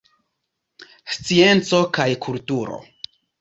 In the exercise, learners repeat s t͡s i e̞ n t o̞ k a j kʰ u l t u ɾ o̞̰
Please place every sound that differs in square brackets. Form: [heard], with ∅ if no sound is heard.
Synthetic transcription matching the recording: s t͡s i e̞ n [t͡s] o̞ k a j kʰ u l t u ɾ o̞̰